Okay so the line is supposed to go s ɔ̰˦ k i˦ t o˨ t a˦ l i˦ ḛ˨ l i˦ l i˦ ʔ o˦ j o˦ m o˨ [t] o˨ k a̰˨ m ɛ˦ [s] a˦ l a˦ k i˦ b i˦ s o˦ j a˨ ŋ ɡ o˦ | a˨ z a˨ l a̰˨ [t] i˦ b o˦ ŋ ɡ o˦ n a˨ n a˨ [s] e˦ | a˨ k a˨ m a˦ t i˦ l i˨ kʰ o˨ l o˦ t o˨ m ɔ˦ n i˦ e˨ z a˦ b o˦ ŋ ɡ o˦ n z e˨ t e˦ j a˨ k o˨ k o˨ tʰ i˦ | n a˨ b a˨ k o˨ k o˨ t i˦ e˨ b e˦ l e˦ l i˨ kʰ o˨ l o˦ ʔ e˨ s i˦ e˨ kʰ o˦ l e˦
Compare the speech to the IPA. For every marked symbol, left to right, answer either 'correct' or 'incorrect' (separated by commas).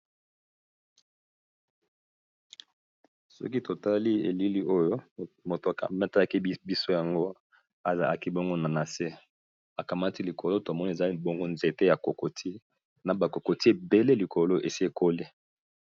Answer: correct, incorrect, incorrect, correct